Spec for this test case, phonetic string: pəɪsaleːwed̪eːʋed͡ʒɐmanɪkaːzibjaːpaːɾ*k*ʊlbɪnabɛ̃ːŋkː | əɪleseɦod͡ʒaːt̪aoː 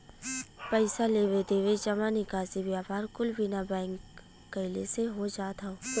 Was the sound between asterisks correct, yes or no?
yes